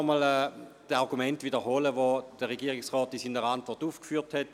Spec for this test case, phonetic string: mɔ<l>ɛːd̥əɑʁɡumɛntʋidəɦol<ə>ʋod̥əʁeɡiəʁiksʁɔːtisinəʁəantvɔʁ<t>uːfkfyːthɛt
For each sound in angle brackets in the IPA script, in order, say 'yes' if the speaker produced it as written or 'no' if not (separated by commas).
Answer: yes, yes, yes